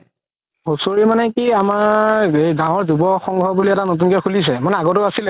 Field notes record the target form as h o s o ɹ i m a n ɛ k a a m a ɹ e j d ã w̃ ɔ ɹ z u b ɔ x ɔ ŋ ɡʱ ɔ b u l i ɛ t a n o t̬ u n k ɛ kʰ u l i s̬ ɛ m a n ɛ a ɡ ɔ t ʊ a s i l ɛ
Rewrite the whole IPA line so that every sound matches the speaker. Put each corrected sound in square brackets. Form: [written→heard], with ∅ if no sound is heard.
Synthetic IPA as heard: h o s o ɹ i m a n ɛ k [a→i] a m a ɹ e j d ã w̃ ɔ ɹ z u b ɔ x ɔ ŋ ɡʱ ɔ b u l i ɛ t a n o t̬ u n k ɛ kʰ u l i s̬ ɛ m a n ɛ a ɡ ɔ t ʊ a s i l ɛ